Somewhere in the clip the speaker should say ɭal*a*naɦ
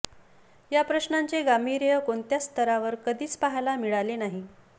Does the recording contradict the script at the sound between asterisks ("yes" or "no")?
yes